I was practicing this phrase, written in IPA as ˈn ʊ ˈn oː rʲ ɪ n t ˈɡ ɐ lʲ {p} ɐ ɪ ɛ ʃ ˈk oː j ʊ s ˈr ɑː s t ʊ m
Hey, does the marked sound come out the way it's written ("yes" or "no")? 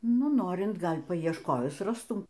yes